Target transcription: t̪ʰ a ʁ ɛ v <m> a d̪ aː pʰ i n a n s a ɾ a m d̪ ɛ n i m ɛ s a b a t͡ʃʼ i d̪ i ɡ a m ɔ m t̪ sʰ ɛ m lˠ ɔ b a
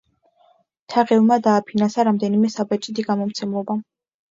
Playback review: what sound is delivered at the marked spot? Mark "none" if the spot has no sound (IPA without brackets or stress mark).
m